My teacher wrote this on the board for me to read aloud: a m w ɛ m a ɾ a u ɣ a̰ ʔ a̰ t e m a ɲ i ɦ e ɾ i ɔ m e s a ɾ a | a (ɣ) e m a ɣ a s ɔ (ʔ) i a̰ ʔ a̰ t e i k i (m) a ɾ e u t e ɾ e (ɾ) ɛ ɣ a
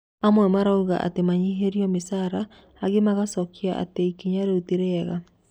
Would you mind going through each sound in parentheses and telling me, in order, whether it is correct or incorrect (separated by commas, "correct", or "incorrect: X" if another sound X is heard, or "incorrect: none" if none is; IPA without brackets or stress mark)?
correct, incorrect: k, incorrect: ɲ, incorrect: none